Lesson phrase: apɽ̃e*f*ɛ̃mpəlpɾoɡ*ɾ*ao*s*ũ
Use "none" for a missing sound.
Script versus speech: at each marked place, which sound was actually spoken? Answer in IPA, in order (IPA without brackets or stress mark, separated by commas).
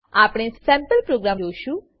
s, ɾ, ʃ